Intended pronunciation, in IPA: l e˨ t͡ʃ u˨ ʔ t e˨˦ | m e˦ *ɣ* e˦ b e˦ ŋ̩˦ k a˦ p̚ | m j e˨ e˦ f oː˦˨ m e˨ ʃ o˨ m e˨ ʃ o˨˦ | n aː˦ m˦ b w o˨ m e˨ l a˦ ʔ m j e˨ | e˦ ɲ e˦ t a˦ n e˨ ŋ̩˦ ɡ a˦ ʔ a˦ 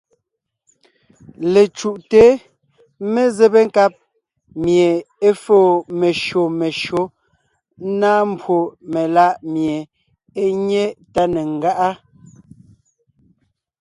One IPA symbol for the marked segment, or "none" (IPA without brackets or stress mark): z